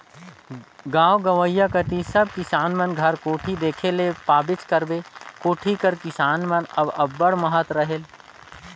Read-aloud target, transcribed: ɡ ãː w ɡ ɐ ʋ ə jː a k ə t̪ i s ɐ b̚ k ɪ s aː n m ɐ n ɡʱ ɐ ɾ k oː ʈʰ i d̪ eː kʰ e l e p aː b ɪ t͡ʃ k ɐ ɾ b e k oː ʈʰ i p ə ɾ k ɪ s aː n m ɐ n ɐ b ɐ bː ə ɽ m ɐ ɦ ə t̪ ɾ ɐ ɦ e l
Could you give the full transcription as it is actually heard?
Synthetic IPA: ɡ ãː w ɡ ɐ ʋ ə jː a k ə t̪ i s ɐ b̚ k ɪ s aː n m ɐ n ɡʱ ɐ ɾ k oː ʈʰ i d̪ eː kʰ e l e p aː b ɪ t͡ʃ k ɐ ɾ b e k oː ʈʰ i k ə ɾ k ɪ s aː n m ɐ n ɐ b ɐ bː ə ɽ m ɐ ɦ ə t̪ ɾ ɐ ɦ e l